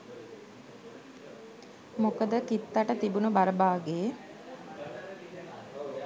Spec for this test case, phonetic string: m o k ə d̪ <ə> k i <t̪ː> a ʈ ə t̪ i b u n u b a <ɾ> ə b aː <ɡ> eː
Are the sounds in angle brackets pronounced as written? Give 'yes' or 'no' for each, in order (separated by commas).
yes, yes, yes, yes